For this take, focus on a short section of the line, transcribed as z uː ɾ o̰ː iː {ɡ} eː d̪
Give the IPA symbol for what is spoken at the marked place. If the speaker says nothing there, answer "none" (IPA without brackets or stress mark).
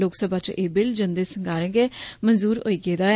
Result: ɡ